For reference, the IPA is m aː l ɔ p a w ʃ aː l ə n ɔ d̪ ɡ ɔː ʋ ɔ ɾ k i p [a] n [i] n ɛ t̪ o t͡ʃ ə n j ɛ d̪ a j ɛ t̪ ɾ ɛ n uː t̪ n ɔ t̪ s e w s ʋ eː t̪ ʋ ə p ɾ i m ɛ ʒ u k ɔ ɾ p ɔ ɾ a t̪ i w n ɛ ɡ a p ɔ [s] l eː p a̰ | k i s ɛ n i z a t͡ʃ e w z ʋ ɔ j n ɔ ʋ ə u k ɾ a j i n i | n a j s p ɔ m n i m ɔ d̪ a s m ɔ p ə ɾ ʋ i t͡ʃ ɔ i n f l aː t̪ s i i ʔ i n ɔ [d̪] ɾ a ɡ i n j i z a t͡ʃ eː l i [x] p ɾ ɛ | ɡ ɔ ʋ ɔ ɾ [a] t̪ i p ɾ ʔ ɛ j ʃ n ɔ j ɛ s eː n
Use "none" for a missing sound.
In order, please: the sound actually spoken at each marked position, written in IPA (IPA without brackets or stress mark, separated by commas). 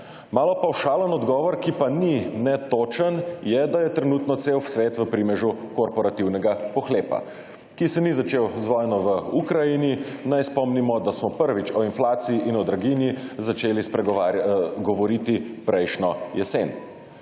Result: a, i, x, d̪, s, i